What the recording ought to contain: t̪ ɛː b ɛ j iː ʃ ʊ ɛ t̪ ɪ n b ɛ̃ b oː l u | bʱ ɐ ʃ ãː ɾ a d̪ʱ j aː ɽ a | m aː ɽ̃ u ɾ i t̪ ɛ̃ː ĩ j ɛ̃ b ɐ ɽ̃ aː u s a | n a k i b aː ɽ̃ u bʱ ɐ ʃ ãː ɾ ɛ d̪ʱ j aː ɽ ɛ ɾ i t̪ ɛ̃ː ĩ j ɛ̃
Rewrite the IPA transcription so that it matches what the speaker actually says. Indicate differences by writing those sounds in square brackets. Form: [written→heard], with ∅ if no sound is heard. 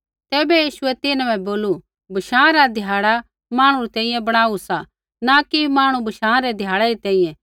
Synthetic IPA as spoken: t̪ ɛː b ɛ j iː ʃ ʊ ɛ t̪ ɪ n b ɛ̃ b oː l u | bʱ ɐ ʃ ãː ɾ a d̪ʱ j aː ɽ a | m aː ɽ̃ u ɾ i t̪ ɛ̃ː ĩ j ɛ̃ b ɐ ɽ̃ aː u s a | n a k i [b→m] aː ɽ̃ u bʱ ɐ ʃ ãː ɾ ɛ d̪ʱ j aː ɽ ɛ ɾ i t̪ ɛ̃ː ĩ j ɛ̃